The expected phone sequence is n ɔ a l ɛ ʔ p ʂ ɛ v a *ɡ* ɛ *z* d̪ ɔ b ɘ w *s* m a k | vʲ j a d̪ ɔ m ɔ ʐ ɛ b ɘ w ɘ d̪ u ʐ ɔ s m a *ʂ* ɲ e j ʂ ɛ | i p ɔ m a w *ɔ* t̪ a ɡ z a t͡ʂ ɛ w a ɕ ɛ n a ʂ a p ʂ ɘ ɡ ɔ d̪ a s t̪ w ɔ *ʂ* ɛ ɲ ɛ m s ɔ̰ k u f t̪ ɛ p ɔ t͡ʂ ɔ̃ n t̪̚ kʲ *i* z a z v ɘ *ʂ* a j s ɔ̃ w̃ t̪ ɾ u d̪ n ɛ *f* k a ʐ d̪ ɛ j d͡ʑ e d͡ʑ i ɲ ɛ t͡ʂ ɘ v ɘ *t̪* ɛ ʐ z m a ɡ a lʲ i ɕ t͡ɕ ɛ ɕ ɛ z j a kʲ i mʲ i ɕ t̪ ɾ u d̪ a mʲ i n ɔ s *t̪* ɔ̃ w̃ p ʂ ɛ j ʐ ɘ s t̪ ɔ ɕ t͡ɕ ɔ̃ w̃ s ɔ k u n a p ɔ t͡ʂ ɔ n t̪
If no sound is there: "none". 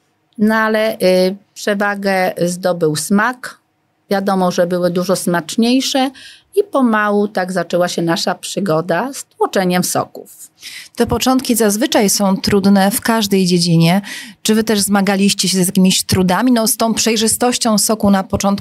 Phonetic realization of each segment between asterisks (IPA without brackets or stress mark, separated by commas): ɡ, z, s, t͡ʂ, u, t͡ʂ, i, t͡ʂ, f, t̪, t̪